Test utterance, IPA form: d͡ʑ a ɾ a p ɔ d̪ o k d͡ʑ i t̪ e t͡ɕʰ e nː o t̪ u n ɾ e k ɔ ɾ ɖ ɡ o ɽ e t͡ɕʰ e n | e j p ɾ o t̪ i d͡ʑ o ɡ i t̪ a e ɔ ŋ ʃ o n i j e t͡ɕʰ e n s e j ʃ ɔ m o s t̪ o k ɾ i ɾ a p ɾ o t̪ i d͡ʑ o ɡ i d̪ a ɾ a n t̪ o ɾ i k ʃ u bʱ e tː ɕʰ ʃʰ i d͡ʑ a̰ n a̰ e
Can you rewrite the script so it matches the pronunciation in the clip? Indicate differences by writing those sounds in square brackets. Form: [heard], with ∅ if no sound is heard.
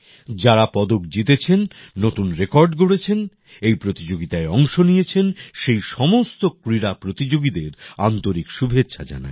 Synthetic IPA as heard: d͡ʑ a ɾ a p ɔ d̪ o k d͡ʑ i t̪ e t͡ɕʰ e nː o t̪ u n ɾ e k ɔ ɾ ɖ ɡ o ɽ e t͡ɕʰ e n | e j p ɾ o t̪ i d͡ʑ o ɡ i t̪ a e ɔ ŋ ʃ o n i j e t͡ɕʰ e n [ʃ] e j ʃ ɔ m o s t̪ o k ɾ i ɾ a p ɾ o t̪ i d͡ʑ o ɡ i d̪ [e] ɾ a n t̪ o ɾ i k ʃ u bʱ e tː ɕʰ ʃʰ [a] d͡ʑ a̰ n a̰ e